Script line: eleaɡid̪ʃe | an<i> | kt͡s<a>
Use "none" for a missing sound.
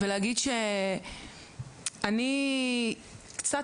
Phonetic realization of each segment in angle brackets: i, a

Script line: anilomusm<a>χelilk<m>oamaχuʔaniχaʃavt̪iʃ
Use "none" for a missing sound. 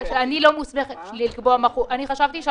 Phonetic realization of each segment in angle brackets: e, b

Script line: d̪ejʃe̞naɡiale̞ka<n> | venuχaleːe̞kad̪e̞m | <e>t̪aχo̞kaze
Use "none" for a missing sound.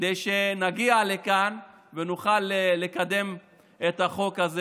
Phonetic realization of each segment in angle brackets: n, e

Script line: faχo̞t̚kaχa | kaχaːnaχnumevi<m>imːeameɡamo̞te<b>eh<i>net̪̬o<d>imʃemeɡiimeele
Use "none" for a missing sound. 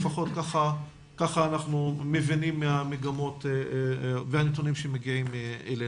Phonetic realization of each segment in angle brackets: n, v, a, n

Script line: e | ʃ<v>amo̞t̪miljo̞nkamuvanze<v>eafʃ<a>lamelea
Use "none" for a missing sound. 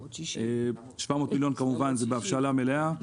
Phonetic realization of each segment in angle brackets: v, b, a

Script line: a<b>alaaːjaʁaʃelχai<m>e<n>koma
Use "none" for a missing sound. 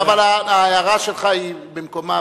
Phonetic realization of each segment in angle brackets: v, b, m

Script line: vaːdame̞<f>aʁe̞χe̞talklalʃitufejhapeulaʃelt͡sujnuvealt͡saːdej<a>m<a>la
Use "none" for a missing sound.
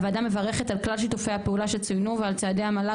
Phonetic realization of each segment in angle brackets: v, a, a

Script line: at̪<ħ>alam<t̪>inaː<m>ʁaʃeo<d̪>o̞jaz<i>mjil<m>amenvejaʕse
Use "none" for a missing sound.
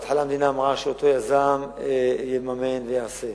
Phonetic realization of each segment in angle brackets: ħ, d̪, m, t̪, a, m

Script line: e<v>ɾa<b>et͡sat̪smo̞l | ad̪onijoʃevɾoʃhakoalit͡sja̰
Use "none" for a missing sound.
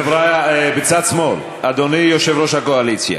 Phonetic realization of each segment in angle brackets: v, b

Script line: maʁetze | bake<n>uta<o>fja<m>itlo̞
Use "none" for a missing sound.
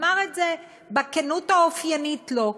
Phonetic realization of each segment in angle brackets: n, o, n

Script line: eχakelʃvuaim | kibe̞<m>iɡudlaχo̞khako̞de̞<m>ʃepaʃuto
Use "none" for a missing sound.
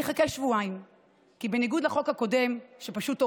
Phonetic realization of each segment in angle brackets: n, m

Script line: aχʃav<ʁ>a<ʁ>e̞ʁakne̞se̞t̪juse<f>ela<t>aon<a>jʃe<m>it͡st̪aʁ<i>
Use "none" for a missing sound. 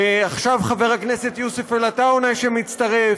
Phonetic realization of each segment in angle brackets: χ, v, f, t, a, m, e

